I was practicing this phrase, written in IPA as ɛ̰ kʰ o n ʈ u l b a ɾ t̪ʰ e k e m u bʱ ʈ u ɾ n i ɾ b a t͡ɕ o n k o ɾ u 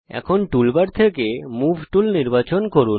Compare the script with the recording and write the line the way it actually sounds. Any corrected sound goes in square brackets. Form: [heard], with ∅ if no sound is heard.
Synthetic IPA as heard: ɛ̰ kʰ o n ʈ u l b a ɾ t̪ʰ e k e m u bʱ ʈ u [l] n i ɾ b a t͡ɕ o n k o ɾ u